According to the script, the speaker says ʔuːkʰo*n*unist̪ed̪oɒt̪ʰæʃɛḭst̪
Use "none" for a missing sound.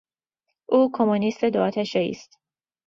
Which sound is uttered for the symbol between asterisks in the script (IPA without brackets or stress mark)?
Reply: m